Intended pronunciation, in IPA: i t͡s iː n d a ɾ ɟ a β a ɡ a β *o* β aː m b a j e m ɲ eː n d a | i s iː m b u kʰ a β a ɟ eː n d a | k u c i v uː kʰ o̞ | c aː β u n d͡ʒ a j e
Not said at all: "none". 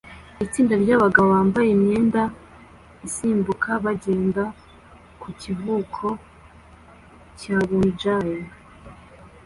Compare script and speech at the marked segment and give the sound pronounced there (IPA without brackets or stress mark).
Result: o